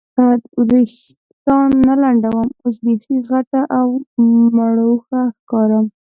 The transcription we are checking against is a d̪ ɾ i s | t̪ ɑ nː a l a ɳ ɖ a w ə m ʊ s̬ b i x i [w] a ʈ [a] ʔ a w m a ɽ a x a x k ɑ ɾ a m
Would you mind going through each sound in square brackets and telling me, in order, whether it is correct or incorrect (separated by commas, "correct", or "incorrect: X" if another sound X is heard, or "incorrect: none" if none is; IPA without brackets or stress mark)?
incorrect: ɣ, correct